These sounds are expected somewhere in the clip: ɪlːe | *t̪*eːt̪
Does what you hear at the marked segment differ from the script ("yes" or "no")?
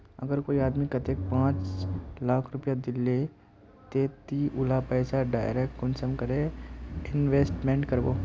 no